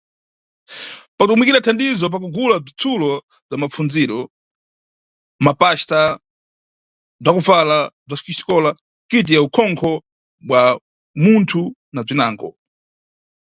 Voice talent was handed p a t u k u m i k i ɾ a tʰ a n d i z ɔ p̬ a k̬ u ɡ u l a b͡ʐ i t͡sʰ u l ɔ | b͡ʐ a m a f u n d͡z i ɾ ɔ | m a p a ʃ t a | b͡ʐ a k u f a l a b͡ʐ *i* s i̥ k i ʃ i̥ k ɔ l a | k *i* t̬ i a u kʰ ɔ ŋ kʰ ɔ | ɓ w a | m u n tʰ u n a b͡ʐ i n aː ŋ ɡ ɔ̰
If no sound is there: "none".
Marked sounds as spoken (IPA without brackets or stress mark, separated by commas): a, i